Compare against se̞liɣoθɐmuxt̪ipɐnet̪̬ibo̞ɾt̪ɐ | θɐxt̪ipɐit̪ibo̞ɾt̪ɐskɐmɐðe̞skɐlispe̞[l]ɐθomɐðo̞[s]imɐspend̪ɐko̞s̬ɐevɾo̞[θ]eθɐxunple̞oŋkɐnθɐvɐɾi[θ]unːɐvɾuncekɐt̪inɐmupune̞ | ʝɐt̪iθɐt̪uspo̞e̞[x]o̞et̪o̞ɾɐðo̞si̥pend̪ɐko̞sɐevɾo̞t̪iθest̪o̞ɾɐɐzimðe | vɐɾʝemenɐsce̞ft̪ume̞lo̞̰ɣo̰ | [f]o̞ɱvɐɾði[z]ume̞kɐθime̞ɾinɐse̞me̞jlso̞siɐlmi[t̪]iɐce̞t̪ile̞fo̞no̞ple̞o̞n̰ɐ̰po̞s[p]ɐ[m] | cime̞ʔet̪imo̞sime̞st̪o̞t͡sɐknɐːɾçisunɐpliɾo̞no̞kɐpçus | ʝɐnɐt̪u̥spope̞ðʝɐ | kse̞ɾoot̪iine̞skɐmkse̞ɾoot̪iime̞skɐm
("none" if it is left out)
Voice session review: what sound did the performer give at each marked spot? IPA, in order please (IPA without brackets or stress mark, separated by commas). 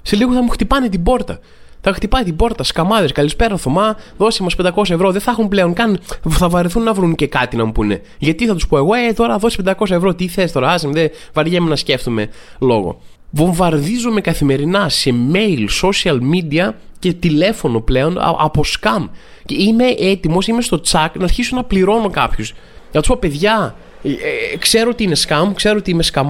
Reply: ɾ, s, ð, θ, ɣ, v, z, d̪, k, m